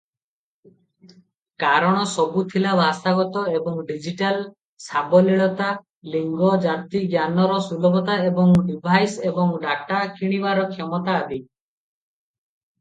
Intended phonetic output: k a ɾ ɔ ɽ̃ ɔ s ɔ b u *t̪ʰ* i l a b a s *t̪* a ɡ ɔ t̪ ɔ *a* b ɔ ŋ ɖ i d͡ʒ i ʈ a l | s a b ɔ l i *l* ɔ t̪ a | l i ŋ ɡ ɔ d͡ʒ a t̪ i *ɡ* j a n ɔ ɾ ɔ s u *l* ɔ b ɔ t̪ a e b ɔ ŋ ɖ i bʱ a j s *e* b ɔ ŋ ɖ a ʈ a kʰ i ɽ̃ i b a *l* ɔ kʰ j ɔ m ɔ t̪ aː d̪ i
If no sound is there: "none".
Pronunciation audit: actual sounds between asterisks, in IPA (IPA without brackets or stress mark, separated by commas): t̪ʰ, t̪, e, ɭ, ɡ, l, e, ɾ